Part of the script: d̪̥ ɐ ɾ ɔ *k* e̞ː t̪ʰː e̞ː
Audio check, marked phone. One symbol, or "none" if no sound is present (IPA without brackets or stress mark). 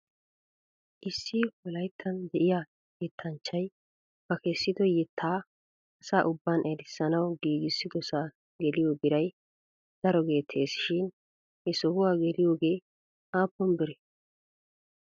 ɡ